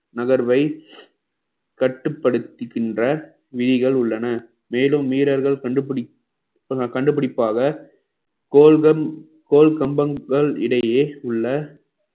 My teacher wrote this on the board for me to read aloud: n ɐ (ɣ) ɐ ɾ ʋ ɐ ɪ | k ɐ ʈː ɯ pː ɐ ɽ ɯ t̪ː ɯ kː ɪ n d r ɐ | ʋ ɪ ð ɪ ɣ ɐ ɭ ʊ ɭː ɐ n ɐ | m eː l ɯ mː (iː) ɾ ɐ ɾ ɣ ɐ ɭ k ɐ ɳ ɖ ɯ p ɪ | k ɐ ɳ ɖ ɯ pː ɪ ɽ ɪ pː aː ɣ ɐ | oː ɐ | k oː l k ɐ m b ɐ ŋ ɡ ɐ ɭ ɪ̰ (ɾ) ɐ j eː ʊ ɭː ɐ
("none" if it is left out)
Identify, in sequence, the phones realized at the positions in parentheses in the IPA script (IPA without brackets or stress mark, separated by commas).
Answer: ɣ, iː, ɽ